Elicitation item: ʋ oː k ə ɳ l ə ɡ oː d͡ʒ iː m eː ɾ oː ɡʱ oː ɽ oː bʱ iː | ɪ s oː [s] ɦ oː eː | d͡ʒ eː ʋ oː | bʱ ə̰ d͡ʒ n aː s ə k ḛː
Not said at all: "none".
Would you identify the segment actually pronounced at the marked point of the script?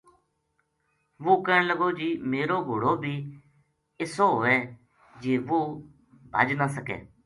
none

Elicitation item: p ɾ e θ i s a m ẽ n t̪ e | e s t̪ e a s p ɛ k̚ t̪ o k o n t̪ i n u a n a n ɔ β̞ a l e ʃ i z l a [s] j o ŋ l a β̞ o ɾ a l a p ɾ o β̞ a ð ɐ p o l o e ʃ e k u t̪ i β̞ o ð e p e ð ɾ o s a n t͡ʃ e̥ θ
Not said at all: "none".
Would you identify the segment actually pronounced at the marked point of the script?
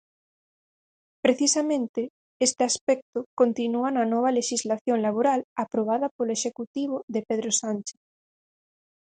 θ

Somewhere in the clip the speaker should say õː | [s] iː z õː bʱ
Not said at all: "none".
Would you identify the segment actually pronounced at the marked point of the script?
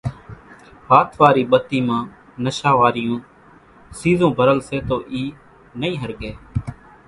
s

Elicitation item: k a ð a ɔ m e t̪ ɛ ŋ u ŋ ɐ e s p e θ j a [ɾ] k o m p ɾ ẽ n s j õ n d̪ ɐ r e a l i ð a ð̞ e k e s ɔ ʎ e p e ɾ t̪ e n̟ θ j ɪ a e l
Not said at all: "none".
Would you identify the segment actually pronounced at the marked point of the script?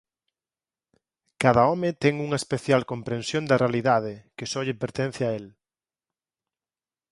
l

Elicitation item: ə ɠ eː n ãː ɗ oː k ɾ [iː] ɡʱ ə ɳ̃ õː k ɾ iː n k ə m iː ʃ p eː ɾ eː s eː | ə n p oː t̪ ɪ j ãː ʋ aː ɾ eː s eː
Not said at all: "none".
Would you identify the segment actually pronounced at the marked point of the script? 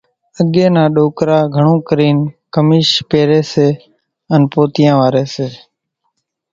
aː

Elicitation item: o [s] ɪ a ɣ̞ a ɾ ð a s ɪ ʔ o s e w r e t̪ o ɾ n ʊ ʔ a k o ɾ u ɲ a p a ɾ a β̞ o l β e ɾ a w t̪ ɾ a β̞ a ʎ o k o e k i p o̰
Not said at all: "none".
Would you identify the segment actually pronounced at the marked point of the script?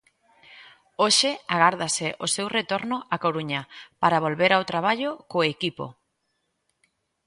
ʃ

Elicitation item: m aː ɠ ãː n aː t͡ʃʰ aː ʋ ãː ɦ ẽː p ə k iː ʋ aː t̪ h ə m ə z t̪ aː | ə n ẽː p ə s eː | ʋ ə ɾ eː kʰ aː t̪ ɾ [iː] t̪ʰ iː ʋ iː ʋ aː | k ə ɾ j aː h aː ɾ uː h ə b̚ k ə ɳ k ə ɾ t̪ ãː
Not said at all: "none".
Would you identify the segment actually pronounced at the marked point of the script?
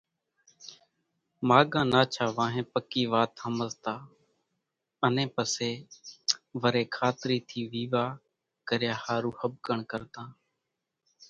iː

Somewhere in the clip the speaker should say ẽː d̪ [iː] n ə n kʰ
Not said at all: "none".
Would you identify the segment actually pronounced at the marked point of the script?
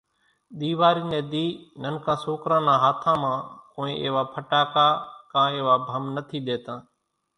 iː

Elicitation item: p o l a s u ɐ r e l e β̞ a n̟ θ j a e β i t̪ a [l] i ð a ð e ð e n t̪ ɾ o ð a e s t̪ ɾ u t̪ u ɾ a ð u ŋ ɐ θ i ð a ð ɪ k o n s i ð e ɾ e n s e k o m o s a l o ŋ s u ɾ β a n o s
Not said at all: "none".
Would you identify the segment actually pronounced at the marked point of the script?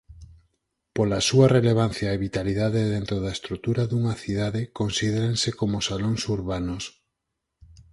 l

